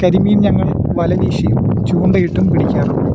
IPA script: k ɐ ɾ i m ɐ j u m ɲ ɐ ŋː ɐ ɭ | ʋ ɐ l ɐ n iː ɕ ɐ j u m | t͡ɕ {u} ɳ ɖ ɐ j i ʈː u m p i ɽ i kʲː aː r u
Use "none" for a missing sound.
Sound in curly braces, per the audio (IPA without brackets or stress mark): uː